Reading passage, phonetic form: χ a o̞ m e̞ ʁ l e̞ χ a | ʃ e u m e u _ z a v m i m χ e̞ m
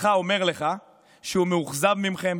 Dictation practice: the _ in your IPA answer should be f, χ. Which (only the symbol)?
χ